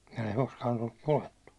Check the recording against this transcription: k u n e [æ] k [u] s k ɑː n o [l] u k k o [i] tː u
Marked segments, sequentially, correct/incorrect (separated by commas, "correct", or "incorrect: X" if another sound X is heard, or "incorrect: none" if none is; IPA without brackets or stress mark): incorrect: i, incorrect: o, incorrect: lː, incorrect: e